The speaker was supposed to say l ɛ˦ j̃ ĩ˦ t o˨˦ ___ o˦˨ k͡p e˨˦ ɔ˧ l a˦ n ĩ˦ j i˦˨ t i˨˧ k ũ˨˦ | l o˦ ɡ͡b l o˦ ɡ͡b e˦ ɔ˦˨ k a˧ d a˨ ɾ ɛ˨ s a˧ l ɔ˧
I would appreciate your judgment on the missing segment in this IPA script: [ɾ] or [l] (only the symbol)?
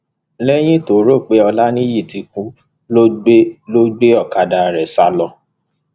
ɾ